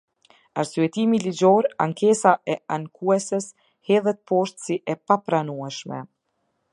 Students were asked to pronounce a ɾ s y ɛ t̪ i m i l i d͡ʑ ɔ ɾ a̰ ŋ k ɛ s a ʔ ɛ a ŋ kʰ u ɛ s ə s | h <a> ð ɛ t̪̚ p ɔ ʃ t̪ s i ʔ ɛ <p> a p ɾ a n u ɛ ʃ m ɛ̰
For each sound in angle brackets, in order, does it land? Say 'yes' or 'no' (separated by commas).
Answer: no, yes